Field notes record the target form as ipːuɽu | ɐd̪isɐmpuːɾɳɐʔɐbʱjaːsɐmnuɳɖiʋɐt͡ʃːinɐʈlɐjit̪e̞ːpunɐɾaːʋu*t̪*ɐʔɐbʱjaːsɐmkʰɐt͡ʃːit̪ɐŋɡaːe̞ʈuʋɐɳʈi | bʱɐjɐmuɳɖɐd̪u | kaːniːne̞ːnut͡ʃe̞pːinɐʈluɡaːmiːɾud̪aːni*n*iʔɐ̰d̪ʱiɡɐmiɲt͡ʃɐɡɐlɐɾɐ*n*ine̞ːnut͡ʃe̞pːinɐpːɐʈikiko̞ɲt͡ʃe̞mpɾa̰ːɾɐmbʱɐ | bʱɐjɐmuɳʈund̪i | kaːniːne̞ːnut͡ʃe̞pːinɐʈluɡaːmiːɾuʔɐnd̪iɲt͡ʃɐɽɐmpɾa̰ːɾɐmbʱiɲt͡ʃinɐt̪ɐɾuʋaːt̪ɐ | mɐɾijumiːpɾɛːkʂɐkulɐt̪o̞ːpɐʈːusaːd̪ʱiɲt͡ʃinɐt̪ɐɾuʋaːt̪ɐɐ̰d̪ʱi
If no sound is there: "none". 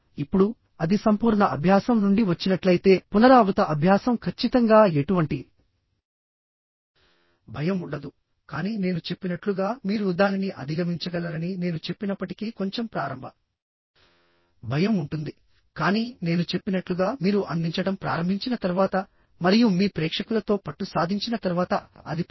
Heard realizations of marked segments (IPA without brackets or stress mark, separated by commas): t̪, n, n